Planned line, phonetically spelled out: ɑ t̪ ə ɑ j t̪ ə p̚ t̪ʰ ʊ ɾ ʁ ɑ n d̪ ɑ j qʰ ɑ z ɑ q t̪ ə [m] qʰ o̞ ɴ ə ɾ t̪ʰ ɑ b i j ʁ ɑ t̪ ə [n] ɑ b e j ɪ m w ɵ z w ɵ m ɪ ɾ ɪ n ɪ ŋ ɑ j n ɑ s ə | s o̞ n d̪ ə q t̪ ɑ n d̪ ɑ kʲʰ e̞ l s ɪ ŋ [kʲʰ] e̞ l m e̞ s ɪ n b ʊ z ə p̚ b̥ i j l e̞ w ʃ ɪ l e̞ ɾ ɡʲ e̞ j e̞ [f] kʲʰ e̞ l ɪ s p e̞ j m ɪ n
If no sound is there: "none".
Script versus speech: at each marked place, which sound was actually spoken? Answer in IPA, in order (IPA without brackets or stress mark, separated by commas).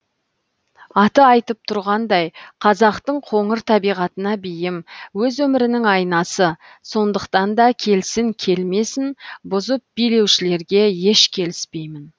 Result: ɴ, n, kʲʰ, ʃ